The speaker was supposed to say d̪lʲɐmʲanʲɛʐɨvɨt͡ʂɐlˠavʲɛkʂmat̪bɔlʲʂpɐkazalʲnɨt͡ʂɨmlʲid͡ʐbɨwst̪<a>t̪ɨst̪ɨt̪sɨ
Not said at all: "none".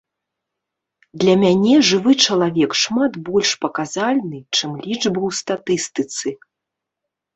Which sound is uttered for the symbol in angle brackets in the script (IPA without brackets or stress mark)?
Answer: a